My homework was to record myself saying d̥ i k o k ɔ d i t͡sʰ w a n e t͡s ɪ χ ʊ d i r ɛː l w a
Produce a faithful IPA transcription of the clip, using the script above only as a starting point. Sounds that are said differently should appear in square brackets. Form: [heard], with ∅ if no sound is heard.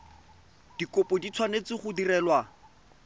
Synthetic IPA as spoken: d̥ i k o [p] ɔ d i t͡sʰ w a n e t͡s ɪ χ ʊ d i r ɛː l w a